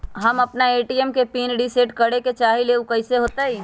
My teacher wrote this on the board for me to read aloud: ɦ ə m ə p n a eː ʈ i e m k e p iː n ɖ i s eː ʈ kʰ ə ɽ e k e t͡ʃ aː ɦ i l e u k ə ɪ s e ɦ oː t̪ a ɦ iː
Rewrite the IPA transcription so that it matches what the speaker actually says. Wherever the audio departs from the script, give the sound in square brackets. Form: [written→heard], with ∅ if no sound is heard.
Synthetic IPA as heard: ɦ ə m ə p n a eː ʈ i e m k e p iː n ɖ i s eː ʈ [kʰ→k] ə ɽ e k e t͡ʃ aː ɦ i l e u k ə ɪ s e ɦ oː t̪ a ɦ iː